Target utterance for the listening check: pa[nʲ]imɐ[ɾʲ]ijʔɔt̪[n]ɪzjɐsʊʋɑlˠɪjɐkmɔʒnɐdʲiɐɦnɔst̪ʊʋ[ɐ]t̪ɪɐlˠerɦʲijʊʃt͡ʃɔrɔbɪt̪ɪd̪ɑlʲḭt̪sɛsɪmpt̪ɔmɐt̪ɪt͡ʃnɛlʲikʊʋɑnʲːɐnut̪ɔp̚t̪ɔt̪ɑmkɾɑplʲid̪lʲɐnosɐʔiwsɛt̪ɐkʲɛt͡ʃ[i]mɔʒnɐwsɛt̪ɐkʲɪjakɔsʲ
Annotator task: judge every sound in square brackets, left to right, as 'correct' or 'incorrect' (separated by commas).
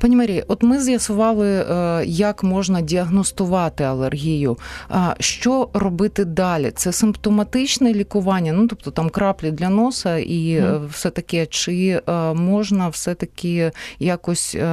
correct, correct, incorrect, incorrect, incorrect